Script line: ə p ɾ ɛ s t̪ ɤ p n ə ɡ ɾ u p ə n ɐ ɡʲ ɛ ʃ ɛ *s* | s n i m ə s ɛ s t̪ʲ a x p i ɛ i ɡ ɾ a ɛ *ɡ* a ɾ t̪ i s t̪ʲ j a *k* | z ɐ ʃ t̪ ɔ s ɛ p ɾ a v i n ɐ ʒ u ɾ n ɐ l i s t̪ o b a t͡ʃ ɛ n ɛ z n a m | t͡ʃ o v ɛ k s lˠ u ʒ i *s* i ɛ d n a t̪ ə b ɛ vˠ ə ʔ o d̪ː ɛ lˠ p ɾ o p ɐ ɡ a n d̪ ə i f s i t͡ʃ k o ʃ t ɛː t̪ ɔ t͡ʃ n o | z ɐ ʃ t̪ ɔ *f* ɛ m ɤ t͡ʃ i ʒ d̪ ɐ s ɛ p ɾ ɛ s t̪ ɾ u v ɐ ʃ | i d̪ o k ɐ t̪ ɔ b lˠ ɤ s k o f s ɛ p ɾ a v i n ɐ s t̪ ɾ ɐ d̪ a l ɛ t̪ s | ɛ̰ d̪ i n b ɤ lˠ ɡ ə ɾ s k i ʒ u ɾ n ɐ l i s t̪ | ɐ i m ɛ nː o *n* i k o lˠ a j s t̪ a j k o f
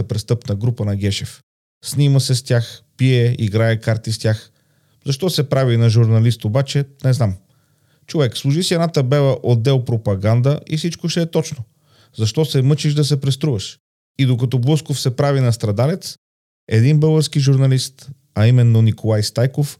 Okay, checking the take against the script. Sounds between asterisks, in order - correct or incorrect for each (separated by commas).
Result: incorrect, incorrect, incorrect, correct, incorrect, correct